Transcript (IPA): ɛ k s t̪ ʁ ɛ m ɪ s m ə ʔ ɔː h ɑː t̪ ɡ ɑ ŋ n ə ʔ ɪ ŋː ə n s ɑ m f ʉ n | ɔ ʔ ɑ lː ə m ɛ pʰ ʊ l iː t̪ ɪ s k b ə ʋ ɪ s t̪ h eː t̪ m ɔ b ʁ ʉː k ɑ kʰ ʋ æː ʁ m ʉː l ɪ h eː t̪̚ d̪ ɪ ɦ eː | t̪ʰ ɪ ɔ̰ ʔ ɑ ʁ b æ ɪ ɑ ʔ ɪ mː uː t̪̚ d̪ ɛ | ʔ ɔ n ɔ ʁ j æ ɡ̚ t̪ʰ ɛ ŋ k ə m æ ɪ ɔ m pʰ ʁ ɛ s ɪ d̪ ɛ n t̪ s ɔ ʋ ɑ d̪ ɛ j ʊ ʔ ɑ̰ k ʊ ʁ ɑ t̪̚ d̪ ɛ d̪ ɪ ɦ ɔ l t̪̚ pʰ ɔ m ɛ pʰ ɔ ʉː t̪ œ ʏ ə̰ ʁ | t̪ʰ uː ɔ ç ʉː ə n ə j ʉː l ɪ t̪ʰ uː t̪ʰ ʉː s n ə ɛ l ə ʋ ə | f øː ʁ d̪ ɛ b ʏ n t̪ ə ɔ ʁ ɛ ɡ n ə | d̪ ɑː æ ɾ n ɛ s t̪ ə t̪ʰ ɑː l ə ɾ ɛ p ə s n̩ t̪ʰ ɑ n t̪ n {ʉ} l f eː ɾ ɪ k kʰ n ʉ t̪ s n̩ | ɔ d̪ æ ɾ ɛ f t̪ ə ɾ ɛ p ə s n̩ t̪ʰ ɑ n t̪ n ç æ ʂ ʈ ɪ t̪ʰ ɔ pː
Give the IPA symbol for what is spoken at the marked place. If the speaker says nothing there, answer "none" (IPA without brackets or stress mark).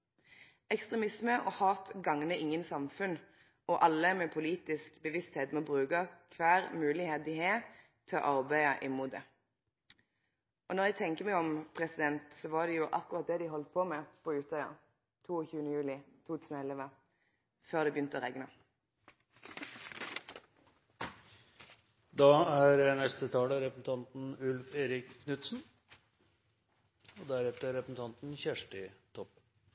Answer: ʉ